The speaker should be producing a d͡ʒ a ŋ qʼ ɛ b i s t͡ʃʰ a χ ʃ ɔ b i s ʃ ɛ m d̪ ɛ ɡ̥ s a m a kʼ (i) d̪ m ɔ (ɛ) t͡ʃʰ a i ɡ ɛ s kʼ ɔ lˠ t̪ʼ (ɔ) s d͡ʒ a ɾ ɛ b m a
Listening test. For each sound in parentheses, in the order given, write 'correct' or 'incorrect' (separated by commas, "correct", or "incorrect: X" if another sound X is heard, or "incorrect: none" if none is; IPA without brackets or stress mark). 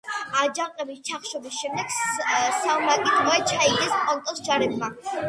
correct, correct, correct